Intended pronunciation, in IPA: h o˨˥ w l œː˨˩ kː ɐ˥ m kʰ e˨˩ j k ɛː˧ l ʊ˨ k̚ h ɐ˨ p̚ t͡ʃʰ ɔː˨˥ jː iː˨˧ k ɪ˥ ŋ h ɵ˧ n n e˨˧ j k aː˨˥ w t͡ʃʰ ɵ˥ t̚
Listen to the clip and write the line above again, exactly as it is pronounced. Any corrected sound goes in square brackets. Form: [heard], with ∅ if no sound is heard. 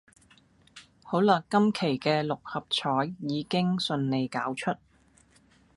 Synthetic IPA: h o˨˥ w l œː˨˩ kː ɐ˥ m kʰ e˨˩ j k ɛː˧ l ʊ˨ k̚ h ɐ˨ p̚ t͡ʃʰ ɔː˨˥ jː iː˨˧ k ɪ˥ ŋ [s] ɵ˧ n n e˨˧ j k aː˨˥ w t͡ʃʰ ɵ˥ t̚